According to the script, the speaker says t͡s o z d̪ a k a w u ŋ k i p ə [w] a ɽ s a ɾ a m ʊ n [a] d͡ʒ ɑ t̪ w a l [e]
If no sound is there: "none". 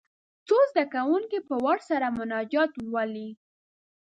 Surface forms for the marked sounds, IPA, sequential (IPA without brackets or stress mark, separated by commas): w, ɑ, i